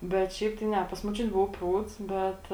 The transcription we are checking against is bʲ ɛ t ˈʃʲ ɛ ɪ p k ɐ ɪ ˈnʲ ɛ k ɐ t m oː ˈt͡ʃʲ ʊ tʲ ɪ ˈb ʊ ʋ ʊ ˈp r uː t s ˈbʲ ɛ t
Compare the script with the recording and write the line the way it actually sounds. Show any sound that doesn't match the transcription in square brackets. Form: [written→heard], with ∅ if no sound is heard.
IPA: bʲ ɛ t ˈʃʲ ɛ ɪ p [k→t] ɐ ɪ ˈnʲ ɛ [k→p] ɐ [t→s] m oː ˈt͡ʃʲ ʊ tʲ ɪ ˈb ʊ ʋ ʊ ˈp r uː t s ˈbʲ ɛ t

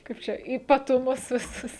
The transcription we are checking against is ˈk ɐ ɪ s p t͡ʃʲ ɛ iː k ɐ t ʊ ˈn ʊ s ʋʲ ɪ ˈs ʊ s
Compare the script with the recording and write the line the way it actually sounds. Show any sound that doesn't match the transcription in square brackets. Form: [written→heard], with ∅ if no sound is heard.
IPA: ˈk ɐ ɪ [s→∅] p t͡ʃʲ ɛ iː [k→p] ɐ t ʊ [ˈn→ˈm] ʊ s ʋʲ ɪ ˈs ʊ s

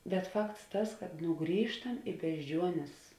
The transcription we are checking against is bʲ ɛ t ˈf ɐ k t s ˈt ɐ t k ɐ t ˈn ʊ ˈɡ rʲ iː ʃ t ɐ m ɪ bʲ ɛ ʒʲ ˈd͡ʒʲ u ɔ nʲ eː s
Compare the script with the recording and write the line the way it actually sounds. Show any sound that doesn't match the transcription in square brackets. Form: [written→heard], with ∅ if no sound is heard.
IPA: bʲ ɛ t ˈf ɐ k t s ˈt ɐ [t→s] k ɐ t ˈn ʊ ˈɡ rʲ iː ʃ t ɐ m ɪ bʲ ɛ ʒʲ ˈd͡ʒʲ u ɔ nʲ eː s

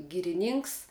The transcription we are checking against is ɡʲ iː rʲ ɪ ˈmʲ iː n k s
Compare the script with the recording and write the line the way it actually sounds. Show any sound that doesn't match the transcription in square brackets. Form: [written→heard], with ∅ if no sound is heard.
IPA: ɡʲ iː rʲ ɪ [ˈmʲ→ˈnʲ] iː [n→ŋ] k s

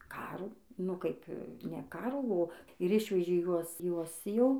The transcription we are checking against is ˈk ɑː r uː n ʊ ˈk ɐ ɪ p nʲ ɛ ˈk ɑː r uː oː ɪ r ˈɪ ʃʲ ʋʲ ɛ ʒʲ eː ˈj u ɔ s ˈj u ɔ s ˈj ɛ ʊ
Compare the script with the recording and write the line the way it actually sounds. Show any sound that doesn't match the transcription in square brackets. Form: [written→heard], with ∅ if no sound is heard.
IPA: ˈk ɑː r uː n ʊ ˈk ɐ ɪ p nʲ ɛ ˈk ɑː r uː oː ɪ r ˈɪ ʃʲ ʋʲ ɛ ʒʲ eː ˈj u ɔ s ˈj u ɔ s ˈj ɛ ʊ

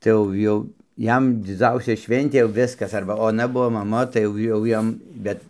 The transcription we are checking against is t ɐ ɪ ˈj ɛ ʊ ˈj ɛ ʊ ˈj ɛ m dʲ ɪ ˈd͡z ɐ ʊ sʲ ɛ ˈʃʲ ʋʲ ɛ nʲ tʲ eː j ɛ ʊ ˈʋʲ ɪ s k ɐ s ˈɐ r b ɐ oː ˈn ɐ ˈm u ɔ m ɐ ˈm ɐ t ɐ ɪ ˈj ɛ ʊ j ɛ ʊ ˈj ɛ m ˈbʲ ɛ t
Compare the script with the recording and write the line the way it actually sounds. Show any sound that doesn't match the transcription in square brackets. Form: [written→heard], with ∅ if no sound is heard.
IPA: t ɐ ɪ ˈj ɛ ʊ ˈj ɛ ʊ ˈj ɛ m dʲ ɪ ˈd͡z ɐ ʊ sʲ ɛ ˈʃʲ ʋʲ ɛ nʲ tʲ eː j ɛ ʊ ˈʋʲ ɪ s k ɐ s ˈɐ r b ɐ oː ˈn ɐ [ˈm→ˈb] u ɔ m ɐ ˈm ɐ t ɐ ɪ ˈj ɛ ʊ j ɛ ʊ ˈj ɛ m ˈbʲ ɛ t

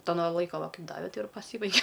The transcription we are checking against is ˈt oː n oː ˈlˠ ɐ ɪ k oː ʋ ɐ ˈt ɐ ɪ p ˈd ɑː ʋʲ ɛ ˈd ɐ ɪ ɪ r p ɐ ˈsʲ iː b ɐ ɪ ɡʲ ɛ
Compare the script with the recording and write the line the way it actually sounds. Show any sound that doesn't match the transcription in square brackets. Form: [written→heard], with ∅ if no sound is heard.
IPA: ˈt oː n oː ˈlˠ ɐ ɪ k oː ʋ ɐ [ˈt→ˈk] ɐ ɪ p ˈd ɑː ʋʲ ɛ [ˈd→ˈt] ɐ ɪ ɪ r p ɐ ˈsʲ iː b ɐ ɪ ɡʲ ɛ

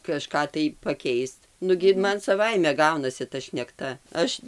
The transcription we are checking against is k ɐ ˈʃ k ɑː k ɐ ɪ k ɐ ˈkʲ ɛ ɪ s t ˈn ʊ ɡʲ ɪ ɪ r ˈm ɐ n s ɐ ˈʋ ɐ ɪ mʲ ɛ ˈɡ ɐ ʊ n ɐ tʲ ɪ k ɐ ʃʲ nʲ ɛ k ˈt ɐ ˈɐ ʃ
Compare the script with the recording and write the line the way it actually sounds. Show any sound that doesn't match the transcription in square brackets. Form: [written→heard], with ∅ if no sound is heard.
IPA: k ɐ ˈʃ k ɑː [k→t] ɐ ɪ [k→p] ɐ ˈkʲ ɛ ɪ s t ˈn ʊ ɡʲ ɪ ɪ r ˈm ɐ n s ɐ ˈʋ ɐ ɪ mʲ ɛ ˈɡ ɐ ʊ n ɐ [tʲ→sʲ] ɪ [k→t] ɐ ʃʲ nʲ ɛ k ˈt ɐ ˈɐ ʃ

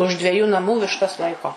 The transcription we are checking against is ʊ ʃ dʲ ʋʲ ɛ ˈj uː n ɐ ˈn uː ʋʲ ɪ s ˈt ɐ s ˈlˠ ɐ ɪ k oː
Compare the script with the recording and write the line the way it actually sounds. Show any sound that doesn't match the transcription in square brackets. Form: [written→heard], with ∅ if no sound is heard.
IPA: ʊ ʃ dʲ ʋʲ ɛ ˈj uː n ɐ [ˈn→ˈm] uː ʋʲ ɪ [s→ʃ] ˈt ɐ s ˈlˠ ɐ ɪ k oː

